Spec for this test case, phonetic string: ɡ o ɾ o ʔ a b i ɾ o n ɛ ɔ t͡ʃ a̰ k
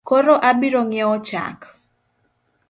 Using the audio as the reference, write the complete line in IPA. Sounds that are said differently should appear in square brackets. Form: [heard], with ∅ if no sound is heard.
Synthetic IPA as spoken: [k] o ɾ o ʔ a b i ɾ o [ŋ] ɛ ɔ t͡ʃ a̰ k

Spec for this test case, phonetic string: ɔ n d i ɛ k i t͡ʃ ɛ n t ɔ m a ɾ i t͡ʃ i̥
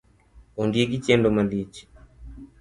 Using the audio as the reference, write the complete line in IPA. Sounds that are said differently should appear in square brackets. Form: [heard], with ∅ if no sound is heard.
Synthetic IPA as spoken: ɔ n d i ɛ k i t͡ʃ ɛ n [d] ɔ m a [l] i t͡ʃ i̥

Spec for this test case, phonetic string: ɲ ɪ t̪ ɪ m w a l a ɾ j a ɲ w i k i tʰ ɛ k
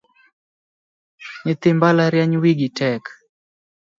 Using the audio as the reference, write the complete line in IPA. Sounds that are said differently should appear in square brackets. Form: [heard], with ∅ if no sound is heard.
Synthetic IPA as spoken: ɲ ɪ t̪ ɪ m [b] a l a ɾ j a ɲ w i [ɡ] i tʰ ɛ k

